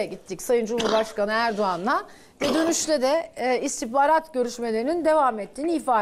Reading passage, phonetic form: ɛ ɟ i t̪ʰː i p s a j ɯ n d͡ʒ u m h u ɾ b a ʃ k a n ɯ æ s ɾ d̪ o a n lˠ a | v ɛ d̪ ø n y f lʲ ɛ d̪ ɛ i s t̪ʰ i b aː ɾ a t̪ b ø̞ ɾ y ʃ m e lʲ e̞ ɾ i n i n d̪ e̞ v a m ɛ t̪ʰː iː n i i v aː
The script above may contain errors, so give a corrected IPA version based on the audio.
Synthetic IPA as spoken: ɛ ɟ i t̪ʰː i c s a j ɯ n d͡ʒ u m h u ɾ b a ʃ k a n ɯ æ ɾ d̪ o a n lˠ a | v ɛ d̪ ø n y ʃ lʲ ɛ d̪ ɛ i s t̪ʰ i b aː ɾ a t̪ ɟ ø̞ ɾ y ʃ m e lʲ e̞ ɾ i n i n d̪ e̞ v a m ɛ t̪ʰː iː n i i f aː